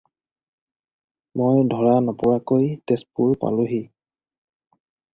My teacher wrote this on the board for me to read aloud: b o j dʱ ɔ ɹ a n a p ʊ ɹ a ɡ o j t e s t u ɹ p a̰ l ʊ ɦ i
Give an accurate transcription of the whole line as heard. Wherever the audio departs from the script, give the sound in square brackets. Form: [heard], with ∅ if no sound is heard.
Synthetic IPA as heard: [m] o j dʱ ɔ ɹ a n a p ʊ ɹ a [k] o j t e s [p] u ɹ p a̰ l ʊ ɦ i

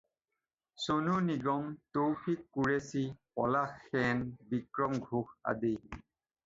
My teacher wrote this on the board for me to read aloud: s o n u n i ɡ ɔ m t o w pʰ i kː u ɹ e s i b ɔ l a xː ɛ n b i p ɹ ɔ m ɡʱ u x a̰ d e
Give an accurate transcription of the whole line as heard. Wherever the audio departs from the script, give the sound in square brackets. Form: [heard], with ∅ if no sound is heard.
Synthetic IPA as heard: s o n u n i ɡ ɔ m t o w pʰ i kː u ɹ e s i [p] ɔ l a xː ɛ n b i [k] ɹ ɔ m ɡʱ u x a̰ d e

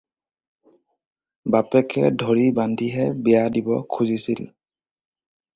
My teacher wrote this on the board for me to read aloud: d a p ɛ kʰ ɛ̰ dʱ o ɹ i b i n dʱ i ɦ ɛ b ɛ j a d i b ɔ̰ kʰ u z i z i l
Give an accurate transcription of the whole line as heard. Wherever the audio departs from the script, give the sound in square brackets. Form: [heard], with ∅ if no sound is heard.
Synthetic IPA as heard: [b] a p ɛ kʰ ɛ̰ dʱ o ɹ i b [a] n dʱ i ɦ ɛ b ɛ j a d i b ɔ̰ kʰ u z i [s] i l

